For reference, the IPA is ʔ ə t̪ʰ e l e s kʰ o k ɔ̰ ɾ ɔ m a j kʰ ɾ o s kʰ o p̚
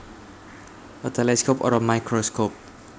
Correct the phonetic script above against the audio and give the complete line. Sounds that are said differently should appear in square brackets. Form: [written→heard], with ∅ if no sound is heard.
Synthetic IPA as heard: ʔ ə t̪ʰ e l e s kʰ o [k→p] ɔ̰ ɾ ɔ m a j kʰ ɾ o s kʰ o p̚